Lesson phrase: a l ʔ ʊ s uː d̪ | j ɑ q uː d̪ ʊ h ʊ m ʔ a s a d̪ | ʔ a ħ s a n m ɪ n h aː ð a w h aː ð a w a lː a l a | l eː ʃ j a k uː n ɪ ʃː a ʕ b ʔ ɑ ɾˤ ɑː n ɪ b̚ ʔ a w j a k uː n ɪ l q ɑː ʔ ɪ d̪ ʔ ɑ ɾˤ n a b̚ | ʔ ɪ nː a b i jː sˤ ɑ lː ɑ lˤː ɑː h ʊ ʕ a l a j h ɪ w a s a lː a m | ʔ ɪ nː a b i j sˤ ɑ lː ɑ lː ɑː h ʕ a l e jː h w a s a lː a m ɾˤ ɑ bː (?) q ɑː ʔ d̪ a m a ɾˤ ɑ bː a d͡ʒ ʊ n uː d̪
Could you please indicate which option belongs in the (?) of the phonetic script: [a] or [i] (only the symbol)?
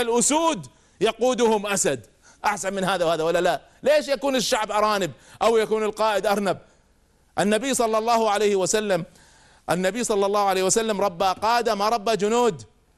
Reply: a